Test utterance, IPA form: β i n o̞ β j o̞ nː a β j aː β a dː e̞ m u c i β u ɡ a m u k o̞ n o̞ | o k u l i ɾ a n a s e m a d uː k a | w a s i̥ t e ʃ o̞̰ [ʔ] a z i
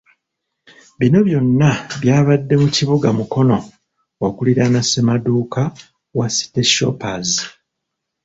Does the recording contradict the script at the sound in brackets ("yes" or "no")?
yes